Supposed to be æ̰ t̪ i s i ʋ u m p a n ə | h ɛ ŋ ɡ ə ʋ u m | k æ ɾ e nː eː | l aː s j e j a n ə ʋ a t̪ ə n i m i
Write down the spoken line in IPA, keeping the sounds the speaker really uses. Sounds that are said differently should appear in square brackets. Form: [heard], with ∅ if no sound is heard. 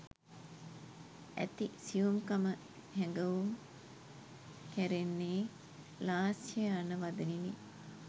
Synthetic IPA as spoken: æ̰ t̪ i s i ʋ u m [k] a [m] ə | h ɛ ŋ ɡ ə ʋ u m | k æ ɾ e nː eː | l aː s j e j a n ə ʋ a [d̪] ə n i [n] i